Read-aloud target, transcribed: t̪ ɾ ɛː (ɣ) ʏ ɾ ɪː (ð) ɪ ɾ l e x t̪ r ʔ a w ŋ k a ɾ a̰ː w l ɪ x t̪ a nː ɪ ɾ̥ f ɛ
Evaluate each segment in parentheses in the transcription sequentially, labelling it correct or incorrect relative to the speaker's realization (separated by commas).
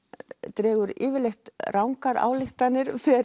correct, incorrect